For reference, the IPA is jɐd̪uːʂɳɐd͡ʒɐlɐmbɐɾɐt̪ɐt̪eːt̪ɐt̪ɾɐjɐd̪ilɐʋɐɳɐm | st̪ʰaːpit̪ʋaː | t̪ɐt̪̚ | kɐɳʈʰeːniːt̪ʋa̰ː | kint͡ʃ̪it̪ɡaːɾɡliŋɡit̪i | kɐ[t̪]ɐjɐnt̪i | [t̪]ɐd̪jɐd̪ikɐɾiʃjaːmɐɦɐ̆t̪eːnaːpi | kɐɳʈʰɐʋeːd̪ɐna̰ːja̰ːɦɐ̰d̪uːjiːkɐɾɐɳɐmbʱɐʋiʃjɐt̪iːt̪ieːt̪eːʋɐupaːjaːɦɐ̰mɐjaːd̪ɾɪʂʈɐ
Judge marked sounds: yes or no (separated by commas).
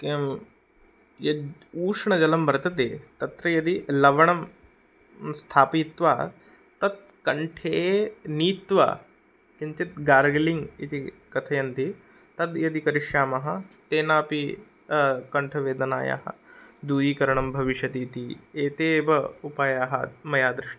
no, yes